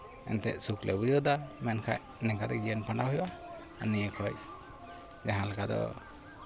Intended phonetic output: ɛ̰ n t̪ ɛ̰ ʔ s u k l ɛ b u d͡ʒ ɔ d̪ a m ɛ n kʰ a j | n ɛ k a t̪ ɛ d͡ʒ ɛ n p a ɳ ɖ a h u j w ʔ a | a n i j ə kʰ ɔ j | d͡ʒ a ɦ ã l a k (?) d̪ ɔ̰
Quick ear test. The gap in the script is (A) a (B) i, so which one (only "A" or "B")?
A